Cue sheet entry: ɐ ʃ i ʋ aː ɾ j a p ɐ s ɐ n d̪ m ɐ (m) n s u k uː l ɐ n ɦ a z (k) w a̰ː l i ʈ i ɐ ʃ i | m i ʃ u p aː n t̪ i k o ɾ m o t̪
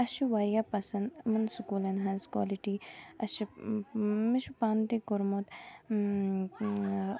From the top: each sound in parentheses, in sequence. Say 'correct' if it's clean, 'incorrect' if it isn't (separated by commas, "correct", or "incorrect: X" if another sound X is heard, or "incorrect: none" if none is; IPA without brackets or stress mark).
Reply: incorrect: none, correct